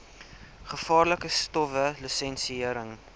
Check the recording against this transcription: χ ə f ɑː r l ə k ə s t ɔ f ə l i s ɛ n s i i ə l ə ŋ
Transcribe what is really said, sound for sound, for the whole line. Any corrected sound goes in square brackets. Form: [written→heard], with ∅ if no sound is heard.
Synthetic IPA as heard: χ ə f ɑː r l ə k ə s t ɔ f ə l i s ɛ n s i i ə [l→ɾ] ə ŋ